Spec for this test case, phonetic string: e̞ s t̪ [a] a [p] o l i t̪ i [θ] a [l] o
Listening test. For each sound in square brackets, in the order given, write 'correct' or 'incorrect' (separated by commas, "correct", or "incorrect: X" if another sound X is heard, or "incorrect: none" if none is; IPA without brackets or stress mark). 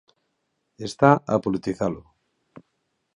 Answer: correct, correct, correct, correct